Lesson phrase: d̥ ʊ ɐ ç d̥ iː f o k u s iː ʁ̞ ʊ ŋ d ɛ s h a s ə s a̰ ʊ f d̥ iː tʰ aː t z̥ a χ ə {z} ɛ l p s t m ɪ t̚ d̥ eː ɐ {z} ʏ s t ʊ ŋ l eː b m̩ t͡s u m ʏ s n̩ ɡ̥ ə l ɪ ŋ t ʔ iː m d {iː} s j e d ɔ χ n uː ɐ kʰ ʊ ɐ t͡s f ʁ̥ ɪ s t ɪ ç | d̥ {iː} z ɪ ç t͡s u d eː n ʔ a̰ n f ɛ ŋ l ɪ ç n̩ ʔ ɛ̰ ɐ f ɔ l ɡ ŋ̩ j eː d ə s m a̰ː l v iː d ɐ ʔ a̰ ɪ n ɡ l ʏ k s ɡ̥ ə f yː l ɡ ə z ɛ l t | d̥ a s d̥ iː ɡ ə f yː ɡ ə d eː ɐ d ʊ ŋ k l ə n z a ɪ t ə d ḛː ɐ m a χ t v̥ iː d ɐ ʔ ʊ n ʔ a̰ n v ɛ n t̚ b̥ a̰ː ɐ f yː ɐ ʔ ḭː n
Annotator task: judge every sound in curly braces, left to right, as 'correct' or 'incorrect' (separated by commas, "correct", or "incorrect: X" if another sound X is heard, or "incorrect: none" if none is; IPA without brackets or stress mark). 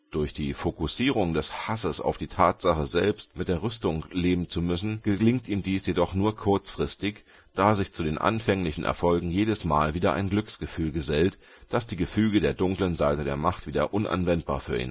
correct, incorrect: ʁ, correct, incorrect: aː